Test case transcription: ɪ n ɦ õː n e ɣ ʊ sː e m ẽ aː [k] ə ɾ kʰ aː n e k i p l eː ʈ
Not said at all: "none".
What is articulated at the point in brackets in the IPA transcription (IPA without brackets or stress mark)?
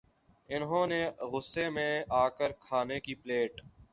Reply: k